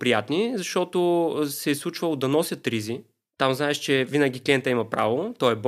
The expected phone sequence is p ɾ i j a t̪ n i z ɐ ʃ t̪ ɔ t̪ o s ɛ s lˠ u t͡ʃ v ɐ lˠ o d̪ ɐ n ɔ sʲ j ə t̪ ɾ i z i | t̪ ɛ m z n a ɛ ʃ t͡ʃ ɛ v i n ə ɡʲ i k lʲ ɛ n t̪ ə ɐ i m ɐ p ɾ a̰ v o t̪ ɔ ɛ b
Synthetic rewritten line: p ɾ i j a t̪ n i z ɐ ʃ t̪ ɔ t̪ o s ɛ s lˠ u t͡ʃ v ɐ lˠ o d̪ ɐ n ɔ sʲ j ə t̪ ɾ i z i | t̪ a m z n a ɛ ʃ t͡ʃ ɛ v i n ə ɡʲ i k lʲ ɛ n t̪ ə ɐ i m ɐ p ɾ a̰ v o t̪ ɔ ɛ b